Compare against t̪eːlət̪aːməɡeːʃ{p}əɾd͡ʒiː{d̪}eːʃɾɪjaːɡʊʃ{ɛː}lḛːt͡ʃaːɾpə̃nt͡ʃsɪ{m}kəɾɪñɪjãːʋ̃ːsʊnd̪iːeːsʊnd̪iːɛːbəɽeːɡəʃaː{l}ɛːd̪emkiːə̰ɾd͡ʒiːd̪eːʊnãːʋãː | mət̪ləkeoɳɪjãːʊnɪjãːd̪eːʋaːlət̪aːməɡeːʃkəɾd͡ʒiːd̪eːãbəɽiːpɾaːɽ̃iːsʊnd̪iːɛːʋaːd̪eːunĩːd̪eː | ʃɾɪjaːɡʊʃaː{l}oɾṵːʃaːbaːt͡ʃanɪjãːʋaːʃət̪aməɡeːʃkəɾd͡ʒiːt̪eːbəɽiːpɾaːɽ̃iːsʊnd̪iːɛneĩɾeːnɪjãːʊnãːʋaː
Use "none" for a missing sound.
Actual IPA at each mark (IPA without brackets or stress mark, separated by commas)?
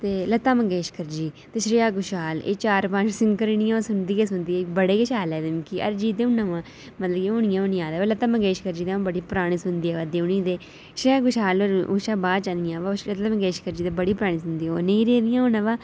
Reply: k, t̪, aː, ŋ, l, l